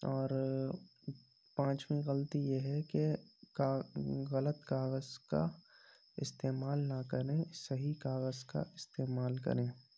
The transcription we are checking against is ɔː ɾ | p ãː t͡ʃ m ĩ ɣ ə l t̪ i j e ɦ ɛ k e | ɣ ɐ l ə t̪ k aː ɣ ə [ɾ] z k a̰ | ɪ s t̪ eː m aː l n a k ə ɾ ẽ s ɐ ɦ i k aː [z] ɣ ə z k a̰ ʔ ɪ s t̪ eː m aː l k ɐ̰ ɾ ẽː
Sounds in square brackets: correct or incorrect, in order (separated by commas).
incorrect, incorrect